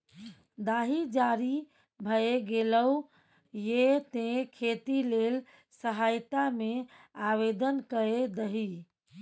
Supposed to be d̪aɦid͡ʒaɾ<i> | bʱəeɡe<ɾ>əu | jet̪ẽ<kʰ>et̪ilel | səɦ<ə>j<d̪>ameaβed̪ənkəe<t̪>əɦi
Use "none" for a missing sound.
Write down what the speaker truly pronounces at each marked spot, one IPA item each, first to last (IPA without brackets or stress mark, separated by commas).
i, l, kʰ, a, t̪, d̪